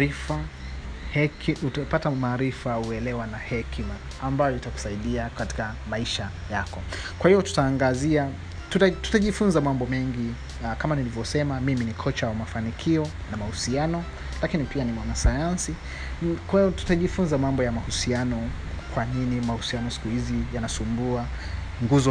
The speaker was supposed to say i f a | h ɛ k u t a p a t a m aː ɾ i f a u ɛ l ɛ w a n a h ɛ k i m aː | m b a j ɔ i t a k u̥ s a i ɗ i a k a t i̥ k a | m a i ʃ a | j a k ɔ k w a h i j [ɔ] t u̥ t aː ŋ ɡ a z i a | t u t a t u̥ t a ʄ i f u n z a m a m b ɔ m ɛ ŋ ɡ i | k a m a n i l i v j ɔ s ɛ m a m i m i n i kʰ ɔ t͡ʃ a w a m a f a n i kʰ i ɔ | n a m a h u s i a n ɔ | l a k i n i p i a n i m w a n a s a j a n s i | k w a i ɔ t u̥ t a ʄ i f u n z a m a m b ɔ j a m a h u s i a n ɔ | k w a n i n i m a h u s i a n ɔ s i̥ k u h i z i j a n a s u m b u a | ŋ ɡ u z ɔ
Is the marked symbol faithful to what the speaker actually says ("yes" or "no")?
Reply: yes